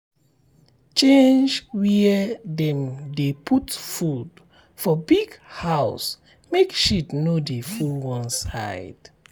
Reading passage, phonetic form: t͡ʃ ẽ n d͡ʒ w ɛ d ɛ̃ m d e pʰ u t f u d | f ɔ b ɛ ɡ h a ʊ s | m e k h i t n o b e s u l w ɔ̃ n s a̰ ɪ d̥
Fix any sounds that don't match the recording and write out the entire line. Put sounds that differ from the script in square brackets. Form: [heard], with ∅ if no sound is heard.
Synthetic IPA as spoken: t͡ʃ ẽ n d͡ʒ w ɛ d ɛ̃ m d e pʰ u t f u d | f ɔ b [i] ɡ h a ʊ s | m e k [ʃ] i t n o [d] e [f] u l w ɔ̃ n s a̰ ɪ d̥